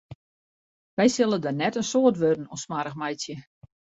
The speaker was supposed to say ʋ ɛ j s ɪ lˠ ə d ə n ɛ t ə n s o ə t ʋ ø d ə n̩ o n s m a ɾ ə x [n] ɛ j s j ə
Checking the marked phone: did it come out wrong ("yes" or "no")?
yes